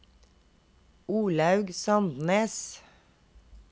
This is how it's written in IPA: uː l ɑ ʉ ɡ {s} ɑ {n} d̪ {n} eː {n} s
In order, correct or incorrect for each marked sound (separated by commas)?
correct, correct, correct, incorrect